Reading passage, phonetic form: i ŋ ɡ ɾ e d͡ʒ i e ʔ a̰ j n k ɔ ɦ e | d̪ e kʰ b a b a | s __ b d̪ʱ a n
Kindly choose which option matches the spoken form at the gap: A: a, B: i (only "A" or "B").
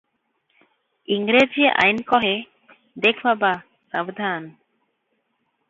A